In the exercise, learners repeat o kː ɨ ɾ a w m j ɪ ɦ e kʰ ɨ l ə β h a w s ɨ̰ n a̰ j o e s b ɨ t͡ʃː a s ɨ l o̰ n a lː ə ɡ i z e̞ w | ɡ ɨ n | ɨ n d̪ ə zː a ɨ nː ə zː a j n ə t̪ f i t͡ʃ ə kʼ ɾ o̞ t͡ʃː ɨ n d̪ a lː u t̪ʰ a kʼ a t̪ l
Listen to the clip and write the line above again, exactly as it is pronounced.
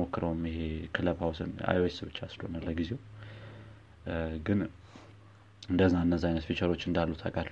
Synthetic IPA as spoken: o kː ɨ ɾ ə w m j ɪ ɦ e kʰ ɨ l ə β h a w s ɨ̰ n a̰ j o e s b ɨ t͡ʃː a s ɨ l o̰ n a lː ə ɡ i z e̞ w | ɡ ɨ n | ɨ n d̪ ə zː a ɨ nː ə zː a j n ə t̪ f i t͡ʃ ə ɾ o̞ t͡ʃː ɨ n d̪ a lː u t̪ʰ a kʼ a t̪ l